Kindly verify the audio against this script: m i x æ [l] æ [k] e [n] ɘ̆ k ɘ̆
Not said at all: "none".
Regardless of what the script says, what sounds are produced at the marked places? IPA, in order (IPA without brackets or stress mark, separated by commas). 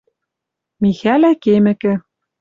l, k, m